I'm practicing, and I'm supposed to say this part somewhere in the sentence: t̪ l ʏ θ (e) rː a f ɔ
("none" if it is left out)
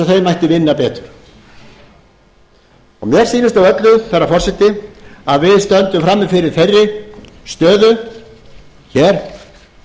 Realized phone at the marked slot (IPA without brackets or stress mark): ɛ